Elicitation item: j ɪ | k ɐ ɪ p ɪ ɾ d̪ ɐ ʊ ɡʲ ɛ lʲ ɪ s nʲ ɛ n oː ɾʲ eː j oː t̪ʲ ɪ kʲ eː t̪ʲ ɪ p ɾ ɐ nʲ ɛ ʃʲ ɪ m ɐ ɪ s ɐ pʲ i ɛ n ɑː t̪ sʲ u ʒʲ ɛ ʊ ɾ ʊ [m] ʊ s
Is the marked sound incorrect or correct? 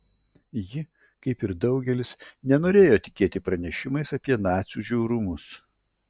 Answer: correct